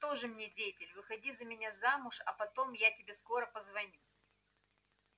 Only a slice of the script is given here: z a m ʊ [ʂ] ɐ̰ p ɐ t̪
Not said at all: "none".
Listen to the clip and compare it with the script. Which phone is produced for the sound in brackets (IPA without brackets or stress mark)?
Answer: ʂ